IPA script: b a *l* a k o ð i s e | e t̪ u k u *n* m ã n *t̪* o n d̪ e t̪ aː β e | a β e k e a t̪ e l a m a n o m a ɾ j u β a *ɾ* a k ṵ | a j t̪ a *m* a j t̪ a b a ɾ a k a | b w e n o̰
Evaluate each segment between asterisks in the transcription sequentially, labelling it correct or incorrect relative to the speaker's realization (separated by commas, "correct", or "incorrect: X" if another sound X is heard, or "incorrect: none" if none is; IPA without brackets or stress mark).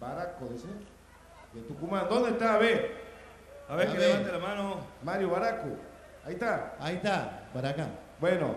incorrect: ɾ, incorrect: none, incorrect: d̪, correct, incorrect: none